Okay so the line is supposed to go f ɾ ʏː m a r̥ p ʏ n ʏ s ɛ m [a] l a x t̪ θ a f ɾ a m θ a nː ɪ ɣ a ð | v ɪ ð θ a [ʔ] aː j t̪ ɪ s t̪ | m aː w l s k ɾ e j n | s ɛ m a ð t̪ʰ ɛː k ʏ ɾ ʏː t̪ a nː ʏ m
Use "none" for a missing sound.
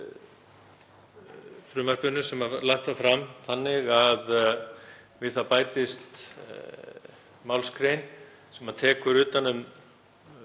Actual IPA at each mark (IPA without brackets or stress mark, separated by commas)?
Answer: a, p